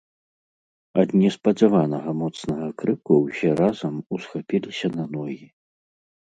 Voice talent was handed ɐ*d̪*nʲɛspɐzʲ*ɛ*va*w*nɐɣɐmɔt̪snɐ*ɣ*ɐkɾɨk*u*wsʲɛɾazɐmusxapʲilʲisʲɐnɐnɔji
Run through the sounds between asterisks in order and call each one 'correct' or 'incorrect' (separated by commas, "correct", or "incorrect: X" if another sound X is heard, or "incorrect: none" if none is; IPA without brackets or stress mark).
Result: correct, incorrect: a, incorrect: none, correct, correct